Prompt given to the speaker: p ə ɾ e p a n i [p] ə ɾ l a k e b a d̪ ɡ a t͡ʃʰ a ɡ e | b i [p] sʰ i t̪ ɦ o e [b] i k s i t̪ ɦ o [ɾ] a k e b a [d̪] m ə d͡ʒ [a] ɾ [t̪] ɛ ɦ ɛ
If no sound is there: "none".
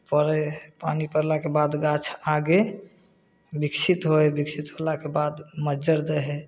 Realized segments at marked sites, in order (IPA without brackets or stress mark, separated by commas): p, k, b, l, d̪, ə, d̪